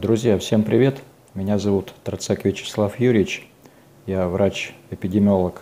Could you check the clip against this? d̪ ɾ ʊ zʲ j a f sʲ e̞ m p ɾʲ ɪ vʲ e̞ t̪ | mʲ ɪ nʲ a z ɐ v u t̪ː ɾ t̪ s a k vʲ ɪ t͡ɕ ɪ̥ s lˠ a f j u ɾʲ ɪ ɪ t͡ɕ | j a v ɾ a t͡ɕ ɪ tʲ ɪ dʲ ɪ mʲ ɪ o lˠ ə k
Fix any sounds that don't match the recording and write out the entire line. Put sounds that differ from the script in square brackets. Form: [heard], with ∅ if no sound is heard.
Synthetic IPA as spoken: d̪ ɾ ʊ zʲ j a f sʲ e̞ m p ɾʲ ɪ vʲ e̞ t̪ | mʲ ɪ nʲ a z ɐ v u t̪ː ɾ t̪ s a k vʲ ɪ t͡ɕ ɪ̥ s lˠ a f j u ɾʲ ɪ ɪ t͡ɕ | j a v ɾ a t͡ɕ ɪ [pʲ] ɪ dʲ ɪ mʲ ɪ o lˠ ə k